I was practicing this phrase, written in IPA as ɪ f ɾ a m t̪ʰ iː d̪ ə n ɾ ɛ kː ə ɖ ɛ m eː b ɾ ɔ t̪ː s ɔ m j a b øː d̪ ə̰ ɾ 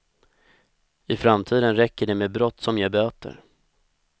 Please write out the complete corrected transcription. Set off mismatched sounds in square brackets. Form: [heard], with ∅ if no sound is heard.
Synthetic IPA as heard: ɪ f ɾ a m t̪ʰ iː d̪ ə n ɾ ɛ kː ə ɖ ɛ m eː b ɾ ɔ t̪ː s ɔ m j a b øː [t̪] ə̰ ɾ